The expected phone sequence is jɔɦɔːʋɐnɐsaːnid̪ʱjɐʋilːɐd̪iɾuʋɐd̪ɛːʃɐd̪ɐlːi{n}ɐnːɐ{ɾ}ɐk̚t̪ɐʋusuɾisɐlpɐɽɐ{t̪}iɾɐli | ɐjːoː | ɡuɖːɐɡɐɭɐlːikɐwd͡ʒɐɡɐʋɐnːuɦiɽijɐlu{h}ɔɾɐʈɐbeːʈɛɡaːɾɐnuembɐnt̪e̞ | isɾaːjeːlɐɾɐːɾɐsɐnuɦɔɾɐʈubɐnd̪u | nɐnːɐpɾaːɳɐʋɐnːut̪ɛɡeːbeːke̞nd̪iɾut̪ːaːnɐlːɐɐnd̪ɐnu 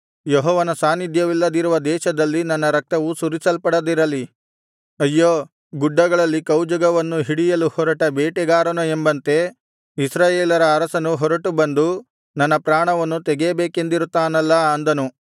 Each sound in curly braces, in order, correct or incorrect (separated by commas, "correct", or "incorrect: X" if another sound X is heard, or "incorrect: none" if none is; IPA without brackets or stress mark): correct, correct, incorrect: d̪, correct